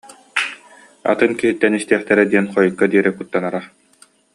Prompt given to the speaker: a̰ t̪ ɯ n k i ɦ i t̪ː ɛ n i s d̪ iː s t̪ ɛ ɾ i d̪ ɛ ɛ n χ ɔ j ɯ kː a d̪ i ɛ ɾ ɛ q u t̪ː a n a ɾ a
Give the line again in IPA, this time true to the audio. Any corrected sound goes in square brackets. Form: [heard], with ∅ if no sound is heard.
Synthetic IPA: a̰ t̪ ɯ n k i ɦ i t̪ː ɛ n i s [t̪] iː [χ] t̪ ɛ ɾ [ɛ] d̪ [i] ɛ n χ ɔ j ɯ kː a d̪ i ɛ ɾ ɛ [k] u t̪ː a n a ɾ a